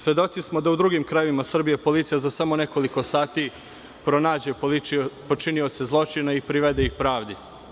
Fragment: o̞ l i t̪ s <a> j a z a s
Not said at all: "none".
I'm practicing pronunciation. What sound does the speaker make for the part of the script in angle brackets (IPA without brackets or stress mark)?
i